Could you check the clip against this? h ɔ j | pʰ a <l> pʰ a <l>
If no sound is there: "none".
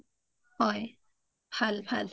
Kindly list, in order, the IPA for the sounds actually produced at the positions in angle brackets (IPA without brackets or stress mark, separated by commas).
l, l